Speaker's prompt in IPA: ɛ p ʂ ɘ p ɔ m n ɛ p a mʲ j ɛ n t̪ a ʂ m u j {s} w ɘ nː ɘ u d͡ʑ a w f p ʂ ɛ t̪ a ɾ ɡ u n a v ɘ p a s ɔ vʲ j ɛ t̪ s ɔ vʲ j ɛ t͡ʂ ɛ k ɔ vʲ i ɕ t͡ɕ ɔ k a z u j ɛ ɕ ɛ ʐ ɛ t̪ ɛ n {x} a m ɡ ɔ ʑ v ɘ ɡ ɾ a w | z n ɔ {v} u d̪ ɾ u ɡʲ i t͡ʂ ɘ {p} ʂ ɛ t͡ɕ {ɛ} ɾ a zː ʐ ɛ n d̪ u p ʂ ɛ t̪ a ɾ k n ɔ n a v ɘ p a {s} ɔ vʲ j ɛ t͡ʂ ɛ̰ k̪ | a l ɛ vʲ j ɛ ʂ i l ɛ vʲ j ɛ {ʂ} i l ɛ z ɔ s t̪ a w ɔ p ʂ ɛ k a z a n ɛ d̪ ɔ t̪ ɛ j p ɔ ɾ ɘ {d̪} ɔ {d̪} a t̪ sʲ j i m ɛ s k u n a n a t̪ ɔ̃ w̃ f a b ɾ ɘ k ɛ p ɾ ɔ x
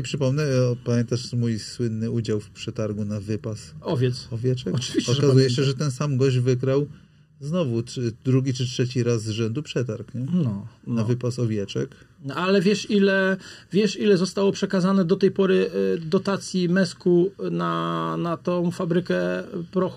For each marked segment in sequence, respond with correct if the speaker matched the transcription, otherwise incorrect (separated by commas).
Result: correct, incorrect, correct, incorrect, incorrect, correct, correct, correct, incorrect